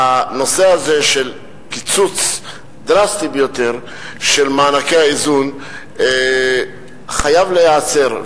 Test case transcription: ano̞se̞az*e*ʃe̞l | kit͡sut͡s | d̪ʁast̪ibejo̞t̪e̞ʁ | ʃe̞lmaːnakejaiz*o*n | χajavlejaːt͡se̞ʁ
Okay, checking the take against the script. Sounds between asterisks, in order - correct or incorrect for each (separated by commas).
correct, incorrect